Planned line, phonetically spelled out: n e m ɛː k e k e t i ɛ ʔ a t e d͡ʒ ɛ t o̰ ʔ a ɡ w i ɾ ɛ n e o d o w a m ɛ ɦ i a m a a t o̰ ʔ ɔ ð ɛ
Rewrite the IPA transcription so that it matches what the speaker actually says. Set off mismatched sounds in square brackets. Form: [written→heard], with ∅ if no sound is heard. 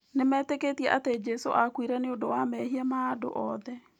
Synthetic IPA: n e m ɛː [k→t] e k e t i ɛ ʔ a t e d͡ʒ ɛ [t→s] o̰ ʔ a [ɡ→k] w i ɾ ɛ n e o d o w a m ɛ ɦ i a m a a [t→d] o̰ ʔ ɔ ð ɛ